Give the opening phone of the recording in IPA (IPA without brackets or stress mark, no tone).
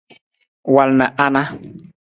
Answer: w